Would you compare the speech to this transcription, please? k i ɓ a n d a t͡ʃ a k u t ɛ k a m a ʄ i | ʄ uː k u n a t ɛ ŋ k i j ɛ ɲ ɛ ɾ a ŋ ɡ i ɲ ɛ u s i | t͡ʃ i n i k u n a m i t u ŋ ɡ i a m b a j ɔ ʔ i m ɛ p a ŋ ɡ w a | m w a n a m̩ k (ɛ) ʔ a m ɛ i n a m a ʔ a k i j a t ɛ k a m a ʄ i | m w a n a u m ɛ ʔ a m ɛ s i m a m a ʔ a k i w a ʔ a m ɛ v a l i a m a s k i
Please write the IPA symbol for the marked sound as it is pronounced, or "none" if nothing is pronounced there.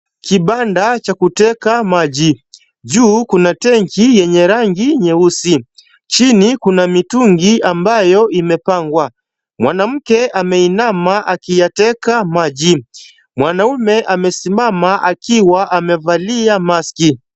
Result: ɛ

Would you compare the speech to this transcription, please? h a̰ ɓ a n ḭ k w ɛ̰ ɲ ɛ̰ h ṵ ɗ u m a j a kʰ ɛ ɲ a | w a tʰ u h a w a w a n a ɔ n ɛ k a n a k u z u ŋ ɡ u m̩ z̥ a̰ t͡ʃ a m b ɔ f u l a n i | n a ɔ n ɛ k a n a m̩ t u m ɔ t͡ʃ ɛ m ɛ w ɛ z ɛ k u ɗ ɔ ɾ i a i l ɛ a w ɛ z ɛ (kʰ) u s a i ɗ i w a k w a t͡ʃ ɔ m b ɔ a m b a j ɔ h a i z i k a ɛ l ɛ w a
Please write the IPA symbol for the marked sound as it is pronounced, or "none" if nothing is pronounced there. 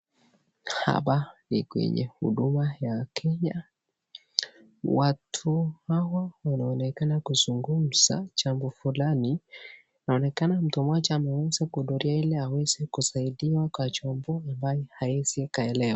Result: k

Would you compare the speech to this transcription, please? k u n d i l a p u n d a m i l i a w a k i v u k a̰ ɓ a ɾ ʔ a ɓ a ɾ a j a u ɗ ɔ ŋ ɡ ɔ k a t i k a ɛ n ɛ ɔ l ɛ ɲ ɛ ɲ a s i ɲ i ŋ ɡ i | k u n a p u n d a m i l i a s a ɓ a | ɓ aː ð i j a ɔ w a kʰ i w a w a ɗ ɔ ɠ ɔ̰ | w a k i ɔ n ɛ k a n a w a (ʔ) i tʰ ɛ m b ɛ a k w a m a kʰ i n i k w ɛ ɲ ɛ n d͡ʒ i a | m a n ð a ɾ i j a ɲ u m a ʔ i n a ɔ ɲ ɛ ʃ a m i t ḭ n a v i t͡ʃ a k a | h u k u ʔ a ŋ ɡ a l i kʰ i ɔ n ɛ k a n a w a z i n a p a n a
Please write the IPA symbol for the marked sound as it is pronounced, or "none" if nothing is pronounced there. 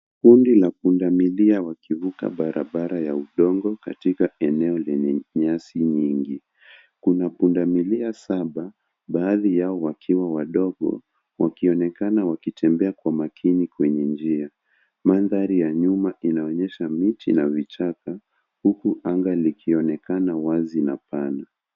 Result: k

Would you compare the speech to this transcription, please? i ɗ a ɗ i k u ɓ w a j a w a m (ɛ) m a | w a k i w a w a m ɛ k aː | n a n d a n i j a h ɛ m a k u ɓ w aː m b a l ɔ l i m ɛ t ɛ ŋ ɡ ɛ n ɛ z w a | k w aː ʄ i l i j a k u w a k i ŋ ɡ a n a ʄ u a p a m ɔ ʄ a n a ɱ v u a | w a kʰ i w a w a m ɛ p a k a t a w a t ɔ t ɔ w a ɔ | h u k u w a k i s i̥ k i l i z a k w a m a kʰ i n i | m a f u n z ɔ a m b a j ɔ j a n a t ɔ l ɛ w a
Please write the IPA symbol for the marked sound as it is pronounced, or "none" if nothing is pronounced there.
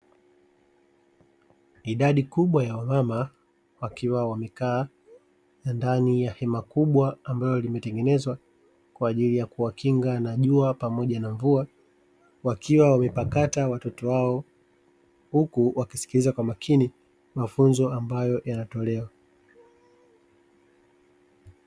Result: a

